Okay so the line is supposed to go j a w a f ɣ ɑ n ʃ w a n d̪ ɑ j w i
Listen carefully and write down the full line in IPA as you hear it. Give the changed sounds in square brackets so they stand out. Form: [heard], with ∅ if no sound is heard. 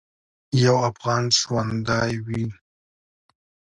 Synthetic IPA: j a w a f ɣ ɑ n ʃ w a n d̪ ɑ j w i